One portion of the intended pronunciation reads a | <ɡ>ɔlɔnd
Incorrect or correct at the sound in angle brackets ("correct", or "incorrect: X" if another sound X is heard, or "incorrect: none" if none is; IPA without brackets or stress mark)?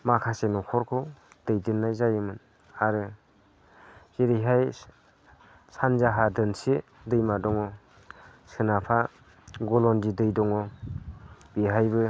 correct